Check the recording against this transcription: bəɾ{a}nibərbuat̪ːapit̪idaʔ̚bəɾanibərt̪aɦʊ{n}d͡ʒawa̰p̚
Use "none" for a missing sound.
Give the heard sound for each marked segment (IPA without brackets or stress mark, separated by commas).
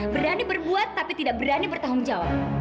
a, ŋ